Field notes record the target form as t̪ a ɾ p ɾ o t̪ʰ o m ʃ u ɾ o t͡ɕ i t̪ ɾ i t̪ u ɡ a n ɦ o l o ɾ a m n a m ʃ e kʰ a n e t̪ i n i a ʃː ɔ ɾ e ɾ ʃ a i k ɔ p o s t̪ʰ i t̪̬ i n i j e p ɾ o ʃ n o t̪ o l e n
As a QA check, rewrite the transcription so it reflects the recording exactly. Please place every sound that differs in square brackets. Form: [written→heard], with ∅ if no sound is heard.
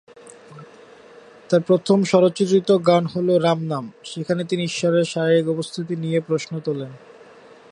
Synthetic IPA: t̪ a ɾ p ɾ o t̪ʰ o m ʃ [u→ɔ] ɾ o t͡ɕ i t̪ ɾ i t̪ [u→o] ɡ a n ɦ o l o ɾ a m n a m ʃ e kʰ a n e t̪ i n i [a→i] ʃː ɔ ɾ e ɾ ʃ a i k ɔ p o s t̪ʰ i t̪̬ i n i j e p ɾ o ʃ n o t̪ o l e n

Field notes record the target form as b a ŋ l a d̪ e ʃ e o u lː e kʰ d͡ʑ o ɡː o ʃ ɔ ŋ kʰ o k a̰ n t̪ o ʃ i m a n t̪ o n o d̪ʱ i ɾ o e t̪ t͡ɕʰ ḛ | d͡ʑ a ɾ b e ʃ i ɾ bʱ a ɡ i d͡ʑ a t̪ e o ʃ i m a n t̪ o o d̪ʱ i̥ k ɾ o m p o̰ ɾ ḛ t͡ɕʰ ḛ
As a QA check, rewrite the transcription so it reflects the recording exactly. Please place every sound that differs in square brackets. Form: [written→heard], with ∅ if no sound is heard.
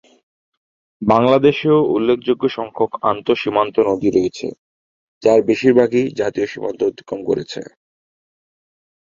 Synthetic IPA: b a ŋ l a d̪ e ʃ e o u lː e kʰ d͡ʑ o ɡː o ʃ ɔ ŋ kʰ o k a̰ n t̪ o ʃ i m a n t̪ o n o d̪ʱ i ɾ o e [t̪→∅] t͡ɕʰ ḛ | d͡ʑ a ɾ b e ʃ i ɾ bʱ a ɡ i d͡ʑ a t̪ [e→i] o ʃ i m a n t̪ o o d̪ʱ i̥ k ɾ o m [p→k] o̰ ɾ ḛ t͡ɕʰ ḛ

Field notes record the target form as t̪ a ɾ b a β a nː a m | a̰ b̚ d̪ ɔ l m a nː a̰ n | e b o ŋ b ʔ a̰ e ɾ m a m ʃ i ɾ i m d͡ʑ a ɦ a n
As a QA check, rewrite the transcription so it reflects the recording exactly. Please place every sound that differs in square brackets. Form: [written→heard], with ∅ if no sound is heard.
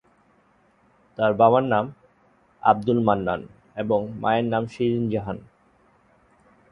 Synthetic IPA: t̪ a ɾ b a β a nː a m | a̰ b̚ d̪ [ɔ→u] l m a nː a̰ n | e b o ŋ [b→m] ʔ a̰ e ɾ [m→n] a m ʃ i ɾ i [m→n] d͡ʑ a ɦ a n

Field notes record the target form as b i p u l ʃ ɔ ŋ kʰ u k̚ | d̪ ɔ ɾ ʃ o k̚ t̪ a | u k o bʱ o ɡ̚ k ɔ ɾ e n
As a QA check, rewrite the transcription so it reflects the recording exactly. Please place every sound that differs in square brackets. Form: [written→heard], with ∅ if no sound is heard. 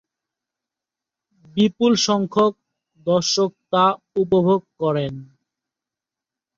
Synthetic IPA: b i p u l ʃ ɔ ŋ kʰ [u→o] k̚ | d̪ ɔ ɾ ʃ o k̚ t̪ a | u [k→p] o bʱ o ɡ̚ k ɔ ɾ e n

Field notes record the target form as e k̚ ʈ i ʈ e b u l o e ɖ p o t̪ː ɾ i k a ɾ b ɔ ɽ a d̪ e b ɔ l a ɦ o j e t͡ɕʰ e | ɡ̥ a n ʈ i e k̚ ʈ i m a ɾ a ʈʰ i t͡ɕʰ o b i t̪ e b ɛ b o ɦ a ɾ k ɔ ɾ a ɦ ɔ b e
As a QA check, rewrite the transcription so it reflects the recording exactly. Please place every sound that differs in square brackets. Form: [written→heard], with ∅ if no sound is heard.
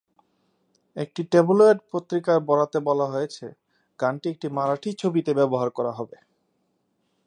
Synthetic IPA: e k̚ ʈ i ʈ e b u l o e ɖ p o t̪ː ɾ i k a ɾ b ɔ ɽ a [d̪→t̪] e b ɔ l a ɦ o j e t͡ɕʰ e | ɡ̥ a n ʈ i e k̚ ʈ i m a ɾ a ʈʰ i t͡ɕʰ o b i t̪ e b ɛ b o ɦ a ɾ k ɔ ɾ a ɦ ɔ b e

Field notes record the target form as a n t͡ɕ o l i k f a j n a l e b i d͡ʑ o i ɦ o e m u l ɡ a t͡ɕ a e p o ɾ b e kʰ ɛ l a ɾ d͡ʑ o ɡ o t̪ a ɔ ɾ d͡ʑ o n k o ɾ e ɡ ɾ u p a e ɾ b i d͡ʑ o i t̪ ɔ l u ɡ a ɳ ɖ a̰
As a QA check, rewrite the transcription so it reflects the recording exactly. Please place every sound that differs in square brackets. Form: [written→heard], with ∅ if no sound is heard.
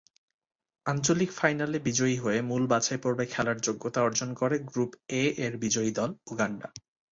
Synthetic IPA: a n t͡ɕ o l i k f a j n a l e b i d͡ʑ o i ɦ o e m u l [ɡ→b] a t͡ɕ a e p o ɾ b e kʰ ɛ l a ɾ d͡ʑ o [ɡ→ɡː] o t̪ a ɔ ɾ d͡ʑ o n k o ɾ e ɡ ɾ u p [a→e] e ɾ b i d͡ʑ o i [t̪→d̪] ɔ l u ɡ a ɳ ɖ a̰

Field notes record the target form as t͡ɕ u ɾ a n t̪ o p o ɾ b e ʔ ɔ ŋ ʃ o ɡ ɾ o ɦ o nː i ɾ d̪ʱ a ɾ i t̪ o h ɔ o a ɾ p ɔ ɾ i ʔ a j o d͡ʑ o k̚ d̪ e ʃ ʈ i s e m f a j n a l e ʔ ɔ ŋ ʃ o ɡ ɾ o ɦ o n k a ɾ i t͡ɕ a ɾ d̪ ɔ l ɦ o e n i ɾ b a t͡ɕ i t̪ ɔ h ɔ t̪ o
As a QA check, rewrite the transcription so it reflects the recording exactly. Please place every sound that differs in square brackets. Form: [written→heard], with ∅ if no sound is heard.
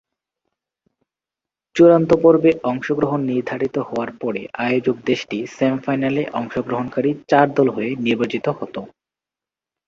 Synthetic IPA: t͡ɕ u ɾ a n t̪ o p o ɾ b e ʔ ɔ ŋ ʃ o ɡ ɾ o ɦ o nː i ɾ d̪ʱ a ɾ i t̪ o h ɔ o a ɾ p ɔ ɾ [i→e] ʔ a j o d͡ʑ o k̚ d̪ e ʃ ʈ i s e m f a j n a l e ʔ ɔ ŋ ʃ o ɡ ɾ o ɦ o n k a ɾ i t͡ɕ a ɾ d̪ ɔ l ɦ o e n i ɾ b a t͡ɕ i t̪ [ɔ→o] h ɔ t̪ o

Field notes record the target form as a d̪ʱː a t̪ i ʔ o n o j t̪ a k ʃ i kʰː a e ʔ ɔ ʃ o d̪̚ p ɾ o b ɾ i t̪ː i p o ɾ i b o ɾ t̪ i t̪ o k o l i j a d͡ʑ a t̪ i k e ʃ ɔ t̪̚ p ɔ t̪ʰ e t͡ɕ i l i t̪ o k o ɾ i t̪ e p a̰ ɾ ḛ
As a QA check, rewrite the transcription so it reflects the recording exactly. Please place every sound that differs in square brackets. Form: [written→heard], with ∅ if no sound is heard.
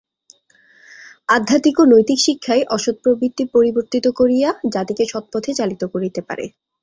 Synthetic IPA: a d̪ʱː a t̪ i [ʔ→k] o n o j t̪ [a→i] k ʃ i kʰː a e ʔ ɔ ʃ o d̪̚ p ɾ o b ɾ i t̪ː i p o ɾ i b o ɾ t̪ i t̪ o k o [l→ɾ] i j a d͡ʑ a t̪ i k e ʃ ɔ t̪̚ p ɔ t̪ʰ e t͡ɕ [i→a] l i t̪ o k o ɾ i t̪ e p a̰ ɾ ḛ

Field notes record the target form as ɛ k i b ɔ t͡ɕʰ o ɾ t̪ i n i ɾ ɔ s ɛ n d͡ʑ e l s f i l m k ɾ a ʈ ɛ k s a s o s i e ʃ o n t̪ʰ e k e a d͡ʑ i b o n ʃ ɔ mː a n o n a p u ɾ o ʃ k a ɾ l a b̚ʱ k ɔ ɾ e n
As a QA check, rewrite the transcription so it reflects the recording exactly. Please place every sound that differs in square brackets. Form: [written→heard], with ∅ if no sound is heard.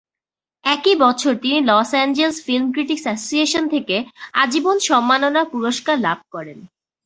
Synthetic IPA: ɛ k i b ɔ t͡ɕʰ o ɾ t̪ i n i [ɾ→l] ɔ s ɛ n d͡ʑ e l s f i l m k ɾ [a→i] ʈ [ɛ→i] k s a s o s i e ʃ o n t̪ʰ e k e a d͡ʑ i b o n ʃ ɔ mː a n o n a p u ɾ o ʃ k a ɾ l a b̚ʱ k ɔ ɾ e n

